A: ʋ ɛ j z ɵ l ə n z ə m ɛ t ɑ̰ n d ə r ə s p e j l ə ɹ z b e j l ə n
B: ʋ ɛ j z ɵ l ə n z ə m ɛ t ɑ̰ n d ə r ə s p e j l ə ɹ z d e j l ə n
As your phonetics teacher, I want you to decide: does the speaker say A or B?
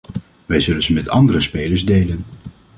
B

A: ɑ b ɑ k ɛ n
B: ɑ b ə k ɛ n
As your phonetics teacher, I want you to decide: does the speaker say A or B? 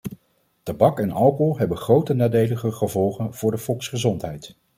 A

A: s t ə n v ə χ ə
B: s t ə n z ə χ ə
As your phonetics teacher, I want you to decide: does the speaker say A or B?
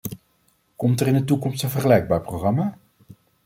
A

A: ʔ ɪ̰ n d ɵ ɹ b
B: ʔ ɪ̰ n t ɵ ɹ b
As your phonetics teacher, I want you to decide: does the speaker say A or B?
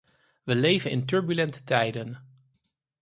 B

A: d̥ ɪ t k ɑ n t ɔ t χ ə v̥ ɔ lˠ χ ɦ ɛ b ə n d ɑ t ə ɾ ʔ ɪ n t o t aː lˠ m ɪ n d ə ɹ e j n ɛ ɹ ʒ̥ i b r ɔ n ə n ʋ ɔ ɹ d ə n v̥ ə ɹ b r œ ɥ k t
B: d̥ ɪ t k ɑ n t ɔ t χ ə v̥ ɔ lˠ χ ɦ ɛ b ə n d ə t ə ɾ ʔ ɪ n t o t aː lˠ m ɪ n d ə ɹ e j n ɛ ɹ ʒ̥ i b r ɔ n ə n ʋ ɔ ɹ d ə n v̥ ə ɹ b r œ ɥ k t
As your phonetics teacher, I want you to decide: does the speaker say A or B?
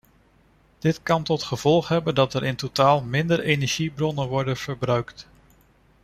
A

